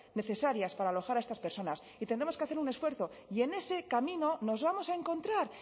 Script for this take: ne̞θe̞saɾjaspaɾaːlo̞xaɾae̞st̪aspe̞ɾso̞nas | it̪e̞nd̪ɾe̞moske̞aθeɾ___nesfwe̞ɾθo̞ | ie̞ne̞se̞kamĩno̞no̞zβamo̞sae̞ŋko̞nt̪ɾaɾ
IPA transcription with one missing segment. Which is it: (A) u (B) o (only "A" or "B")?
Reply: A